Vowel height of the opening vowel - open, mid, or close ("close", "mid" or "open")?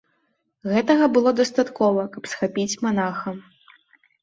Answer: mid